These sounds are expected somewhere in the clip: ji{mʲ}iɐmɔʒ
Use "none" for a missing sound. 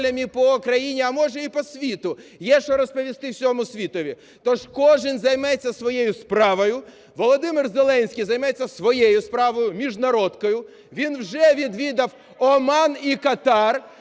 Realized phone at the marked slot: nʲ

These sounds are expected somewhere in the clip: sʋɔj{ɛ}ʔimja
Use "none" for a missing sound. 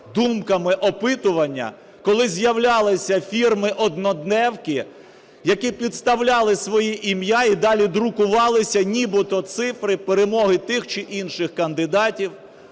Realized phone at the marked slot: i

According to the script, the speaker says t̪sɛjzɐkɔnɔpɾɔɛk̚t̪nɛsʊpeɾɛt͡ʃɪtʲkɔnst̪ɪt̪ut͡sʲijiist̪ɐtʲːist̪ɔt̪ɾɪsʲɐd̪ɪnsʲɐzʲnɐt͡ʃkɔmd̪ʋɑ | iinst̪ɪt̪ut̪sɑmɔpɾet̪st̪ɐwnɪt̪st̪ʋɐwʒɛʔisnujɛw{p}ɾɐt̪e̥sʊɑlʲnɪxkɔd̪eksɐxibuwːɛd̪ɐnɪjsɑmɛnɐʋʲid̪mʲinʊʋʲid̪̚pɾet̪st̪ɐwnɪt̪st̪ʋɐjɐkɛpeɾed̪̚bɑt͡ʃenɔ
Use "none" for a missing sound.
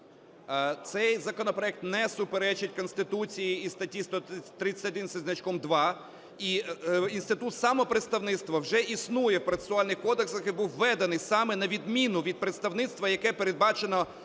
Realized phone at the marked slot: p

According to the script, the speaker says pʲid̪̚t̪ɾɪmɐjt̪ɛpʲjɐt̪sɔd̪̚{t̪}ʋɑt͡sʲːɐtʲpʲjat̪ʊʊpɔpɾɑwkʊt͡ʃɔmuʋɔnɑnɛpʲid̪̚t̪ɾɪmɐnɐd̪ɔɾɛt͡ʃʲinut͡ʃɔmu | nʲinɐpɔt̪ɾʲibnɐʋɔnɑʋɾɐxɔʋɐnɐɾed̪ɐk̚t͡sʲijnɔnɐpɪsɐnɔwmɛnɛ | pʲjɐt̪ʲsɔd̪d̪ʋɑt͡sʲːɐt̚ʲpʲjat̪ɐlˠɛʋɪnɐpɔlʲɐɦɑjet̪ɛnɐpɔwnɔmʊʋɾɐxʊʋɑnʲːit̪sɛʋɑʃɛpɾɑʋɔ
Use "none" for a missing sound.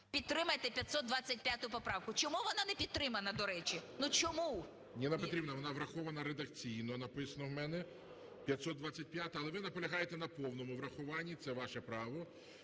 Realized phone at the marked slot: d̪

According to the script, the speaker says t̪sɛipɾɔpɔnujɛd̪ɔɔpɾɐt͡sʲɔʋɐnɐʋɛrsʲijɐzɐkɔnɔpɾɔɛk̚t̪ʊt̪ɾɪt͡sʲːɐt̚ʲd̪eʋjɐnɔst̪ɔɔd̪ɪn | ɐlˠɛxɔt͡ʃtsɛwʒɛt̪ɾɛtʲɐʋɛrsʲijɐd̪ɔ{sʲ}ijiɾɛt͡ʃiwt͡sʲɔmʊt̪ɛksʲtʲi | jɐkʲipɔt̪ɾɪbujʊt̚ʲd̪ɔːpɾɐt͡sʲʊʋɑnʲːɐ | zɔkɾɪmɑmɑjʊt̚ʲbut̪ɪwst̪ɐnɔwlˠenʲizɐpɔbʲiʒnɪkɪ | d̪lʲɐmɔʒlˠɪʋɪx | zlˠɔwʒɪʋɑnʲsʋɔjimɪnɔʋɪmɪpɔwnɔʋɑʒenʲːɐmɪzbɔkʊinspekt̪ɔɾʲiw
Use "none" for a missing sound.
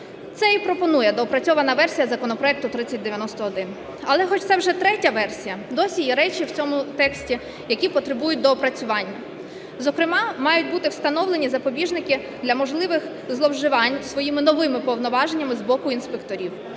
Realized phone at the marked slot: sʲ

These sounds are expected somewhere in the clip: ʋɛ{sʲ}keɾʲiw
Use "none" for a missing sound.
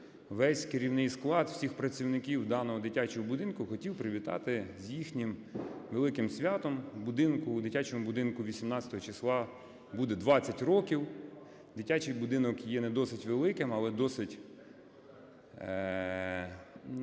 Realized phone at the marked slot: sʲ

